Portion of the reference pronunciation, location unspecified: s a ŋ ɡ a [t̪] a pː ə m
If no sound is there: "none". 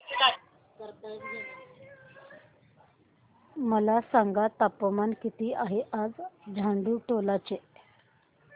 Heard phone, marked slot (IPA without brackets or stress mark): t̪